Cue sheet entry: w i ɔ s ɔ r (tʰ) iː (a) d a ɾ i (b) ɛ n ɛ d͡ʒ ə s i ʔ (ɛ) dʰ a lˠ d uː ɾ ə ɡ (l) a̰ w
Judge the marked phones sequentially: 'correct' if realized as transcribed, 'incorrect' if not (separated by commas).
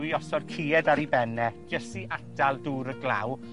incorrect, incorrect, correct, incorrect, correct